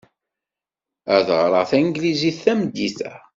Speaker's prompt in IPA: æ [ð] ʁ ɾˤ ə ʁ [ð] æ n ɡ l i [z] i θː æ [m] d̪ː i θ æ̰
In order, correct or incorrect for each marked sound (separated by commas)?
correct, incorrect, correct, correct